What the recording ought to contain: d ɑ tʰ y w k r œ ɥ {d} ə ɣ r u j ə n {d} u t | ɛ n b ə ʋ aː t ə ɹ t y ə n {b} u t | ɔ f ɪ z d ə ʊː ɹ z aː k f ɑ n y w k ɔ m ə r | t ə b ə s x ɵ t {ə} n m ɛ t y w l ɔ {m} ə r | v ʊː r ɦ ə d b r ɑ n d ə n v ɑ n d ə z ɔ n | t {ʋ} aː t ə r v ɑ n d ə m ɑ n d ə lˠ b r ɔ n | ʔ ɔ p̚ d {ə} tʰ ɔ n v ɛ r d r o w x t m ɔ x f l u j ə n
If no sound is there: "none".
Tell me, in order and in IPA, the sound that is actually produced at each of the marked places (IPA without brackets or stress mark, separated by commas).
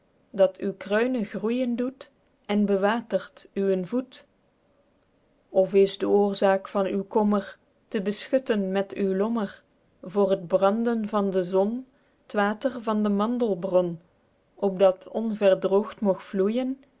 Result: n, d, v, ə, m, ʋ, ɑ